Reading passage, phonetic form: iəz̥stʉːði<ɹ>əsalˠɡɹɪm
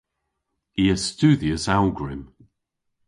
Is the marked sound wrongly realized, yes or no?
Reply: yes